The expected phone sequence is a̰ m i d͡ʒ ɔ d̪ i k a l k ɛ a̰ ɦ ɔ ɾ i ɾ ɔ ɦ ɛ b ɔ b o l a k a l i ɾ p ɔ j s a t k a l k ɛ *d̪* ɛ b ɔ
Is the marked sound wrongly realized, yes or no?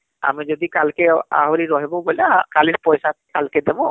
no